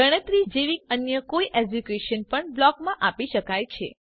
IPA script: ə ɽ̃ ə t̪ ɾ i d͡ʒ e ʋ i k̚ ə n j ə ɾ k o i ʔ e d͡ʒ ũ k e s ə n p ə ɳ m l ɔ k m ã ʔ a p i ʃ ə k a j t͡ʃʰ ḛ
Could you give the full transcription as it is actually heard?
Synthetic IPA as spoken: ə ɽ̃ ə t̪ ɾ i d͡ʒ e ʋ i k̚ ə n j ə k o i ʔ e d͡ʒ u k e ʃ ə n p ə ɳ b l ɔ k m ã ʔ a p i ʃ ə k a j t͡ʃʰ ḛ